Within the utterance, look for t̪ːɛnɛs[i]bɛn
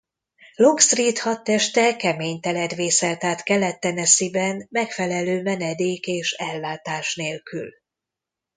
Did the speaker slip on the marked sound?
no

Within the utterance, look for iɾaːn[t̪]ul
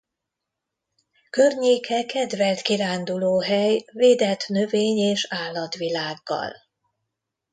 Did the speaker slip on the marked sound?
yes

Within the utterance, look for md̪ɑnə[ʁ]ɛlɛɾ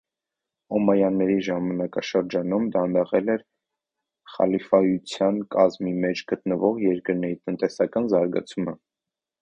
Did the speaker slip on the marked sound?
no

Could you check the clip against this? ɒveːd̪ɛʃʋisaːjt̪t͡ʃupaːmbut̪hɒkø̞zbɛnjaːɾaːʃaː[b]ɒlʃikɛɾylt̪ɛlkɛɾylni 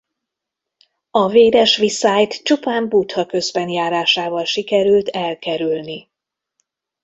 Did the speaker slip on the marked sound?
yes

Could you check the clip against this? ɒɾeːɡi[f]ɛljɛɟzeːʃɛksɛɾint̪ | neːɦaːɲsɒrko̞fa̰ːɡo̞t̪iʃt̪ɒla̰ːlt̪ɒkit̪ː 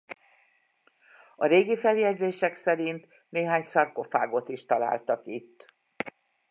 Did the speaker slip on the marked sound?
no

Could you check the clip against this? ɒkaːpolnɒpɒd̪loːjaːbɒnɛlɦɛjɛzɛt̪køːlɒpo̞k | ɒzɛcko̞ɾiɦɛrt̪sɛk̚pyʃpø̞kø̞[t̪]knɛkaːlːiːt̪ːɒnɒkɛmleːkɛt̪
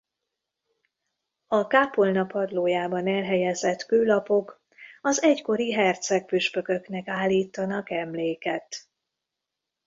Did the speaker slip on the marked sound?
yes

